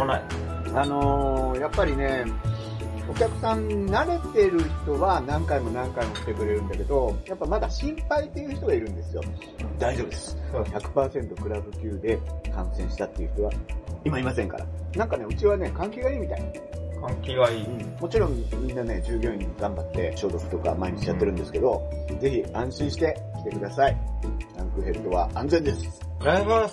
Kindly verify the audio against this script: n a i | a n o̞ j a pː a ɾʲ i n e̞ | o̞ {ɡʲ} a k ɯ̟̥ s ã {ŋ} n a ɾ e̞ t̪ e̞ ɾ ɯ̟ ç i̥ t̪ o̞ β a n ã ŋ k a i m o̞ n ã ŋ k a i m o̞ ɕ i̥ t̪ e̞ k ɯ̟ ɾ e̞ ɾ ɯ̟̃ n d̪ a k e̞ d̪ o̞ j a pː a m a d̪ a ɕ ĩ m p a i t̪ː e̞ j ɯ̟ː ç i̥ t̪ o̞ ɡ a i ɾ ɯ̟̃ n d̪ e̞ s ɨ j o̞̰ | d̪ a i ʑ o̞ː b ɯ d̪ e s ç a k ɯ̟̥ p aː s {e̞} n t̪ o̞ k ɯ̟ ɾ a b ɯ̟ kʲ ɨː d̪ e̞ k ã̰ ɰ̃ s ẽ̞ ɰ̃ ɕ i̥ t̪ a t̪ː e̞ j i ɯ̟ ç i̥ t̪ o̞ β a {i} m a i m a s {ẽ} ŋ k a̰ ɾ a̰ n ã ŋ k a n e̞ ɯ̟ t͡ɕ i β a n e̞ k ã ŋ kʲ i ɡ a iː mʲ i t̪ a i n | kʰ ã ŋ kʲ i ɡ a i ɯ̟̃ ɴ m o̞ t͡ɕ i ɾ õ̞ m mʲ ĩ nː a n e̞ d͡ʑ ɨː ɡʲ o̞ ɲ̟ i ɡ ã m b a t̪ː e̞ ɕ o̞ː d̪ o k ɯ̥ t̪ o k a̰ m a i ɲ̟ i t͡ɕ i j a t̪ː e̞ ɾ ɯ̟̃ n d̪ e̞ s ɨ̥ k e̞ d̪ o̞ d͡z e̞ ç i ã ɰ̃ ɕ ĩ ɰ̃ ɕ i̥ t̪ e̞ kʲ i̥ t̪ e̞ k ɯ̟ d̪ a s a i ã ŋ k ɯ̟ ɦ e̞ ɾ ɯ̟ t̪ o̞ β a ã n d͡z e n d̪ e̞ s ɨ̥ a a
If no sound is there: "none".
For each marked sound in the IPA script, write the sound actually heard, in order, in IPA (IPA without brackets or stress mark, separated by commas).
kʲ, n, ẽ̞, i, ẽ